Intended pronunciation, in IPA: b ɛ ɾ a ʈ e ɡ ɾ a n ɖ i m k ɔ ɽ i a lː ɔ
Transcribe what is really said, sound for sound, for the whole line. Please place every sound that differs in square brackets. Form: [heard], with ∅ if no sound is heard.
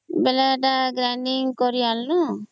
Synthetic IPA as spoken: b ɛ [l] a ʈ [a] ɡ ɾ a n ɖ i [ŋ] k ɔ [ɾ] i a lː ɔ